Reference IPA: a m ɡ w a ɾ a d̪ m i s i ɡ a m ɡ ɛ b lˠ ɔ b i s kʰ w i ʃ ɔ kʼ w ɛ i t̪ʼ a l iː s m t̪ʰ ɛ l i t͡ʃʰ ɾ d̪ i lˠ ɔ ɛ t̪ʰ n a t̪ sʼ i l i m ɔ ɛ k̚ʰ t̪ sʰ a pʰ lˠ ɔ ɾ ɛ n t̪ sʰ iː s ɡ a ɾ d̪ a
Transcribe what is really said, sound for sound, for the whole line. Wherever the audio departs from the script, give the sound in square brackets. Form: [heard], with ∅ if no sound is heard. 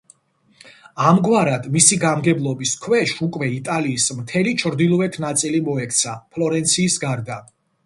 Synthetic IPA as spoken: a m ɡ w a ɾ a d̪ m i s i ɡ a m ɡ ɛ b lˠ ɔ b i s kʰ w [ɛ] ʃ [u] kʼ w ɛ i t̪ʼ a l iː s m t̪ʰ ɛ l i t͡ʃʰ ɾ d̪ i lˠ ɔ ɛ t̪ʰ n a t̪ sʼ i l i m ɔ ɛ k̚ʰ t̪ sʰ a pʰ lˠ ɔ ɾ ɛ n t̪ sʰ iː s ɡ a ɾ d̪ a

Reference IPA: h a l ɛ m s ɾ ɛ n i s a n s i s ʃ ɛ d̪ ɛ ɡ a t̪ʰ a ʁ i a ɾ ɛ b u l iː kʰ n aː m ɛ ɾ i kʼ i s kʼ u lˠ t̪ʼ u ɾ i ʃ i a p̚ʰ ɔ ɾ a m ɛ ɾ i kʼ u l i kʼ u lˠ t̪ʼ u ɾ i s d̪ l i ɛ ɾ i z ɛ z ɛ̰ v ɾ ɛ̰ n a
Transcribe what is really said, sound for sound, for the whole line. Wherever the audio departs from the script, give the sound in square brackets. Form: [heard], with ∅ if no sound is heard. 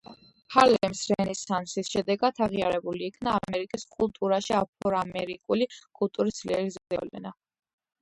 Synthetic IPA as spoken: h a l ɛ m s ɾ ɛ n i s a n s i s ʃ ɛ d̪ ɛ ɡ a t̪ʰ a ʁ i a ɾ ɛ b u l iː kʰ n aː m ɛ ɾ i kʼ i s kʼ u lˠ t̪ʼ u ɾ [a] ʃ i a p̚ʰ ɔ ɾ a m ɛ ɾ i kʼ u l i kʼ u lˠ t̪ʼ u ɾ i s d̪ l i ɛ ɾ i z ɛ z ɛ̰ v [l] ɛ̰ n a

